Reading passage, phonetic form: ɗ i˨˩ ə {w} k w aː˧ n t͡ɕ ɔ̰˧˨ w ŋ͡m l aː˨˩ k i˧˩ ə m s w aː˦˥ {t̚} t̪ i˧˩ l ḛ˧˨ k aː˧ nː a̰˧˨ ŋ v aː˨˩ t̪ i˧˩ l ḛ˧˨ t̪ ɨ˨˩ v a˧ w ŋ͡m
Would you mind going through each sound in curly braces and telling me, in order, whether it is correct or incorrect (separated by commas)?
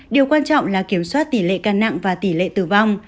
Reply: correct, correct